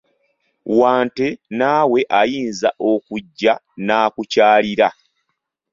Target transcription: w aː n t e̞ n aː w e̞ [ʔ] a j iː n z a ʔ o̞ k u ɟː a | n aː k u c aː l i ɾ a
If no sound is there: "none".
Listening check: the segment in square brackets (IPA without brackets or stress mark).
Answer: ʔ